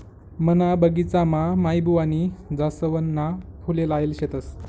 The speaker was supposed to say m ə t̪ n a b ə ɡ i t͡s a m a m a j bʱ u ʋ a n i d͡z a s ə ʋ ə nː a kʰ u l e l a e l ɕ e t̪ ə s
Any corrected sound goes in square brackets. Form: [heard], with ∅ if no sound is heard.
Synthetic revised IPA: m ə [∅] n a b ə ɡ i t͡s a m a m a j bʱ u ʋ a n i d͡z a s ə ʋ ə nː a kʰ u l e l a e l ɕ e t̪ ə s